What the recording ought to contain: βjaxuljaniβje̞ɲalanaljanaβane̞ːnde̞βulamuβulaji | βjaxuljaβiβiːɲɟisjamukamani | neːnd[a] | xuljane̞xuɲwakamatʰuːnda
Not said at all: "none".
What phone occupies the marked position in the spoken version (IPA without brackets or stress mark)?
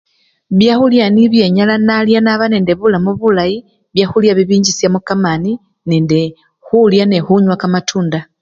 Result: e